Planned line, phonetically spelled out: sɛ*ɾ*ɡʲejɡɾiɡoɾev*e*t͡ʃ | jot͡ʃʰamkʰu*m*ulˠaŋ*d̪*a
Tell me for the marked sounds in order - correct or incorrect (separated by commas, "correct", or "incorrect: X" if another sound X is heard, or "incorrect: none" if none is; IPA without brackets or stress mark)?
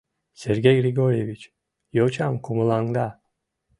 correct, incorrect: i, correct, correct